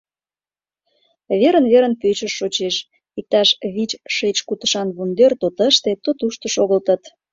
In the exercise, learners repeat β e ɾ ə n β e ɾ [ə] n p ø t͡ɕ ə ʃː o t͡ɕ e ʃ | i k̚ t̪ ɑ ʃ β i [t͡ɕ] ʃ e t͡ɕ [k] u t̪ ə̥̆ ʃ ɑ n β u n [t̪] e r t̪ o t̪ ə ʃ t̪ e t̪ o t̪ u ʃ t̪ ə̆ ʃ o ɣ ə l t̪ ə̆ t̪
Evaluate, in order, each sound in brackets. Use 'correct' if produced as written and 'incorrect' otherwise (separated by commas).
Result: correct, correct, correct, incorrect